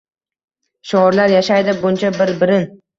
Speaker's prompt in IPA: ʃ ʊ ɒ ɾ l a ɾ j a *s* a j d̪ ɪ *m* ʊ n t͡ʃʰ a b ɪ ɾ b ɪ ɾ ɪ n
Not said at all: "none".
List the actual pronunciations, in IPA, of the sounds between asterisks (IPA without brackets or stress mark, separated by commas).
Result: ʃ, b